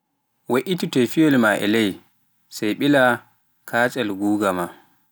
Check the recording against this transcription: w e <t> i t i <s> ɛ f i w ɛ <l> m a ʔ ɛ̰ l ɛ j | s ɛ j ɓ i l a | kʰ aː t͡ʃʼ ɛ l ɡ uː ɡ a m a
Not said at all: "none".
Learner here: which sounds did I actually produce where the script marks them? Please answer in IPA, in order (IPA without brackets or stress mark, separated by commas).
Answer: ʔ, t, l